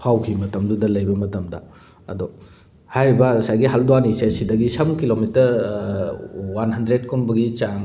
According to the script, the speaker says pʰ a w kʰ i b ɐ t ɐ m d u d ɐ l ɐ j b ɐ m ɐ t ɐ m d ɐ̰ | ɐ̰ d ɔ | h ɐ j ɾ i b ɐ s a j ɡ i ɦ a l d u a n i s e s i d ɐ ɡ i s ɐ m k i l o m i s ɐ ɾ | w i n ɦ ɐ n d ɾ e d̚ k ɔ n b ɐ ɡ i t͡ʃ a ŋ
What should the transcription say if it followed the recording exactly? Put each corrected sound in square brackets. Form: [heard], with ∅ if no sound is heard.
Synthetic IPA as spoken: pʰ a w kʰ i [m] ɐ t ɐ m d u d ɐ l ɐ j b ɐ m ɐ t ɐ m d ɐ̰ | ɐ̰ d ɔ | h [a] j ɾ i b ɐ s a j ɡ i ɦ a l d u a n i s e s i d ɐ ɡ i s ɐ m k i l o m i [t] ɐ ɾ | w [a] n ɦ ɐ n d ɾ e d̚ k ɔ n b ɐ ɡ i t͡ʃ a ŋ